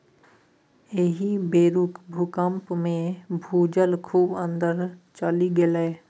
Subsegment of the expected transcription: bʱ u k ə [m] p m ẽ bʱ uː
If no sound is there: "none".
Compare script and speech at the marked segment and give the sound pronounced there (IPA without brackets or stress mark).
m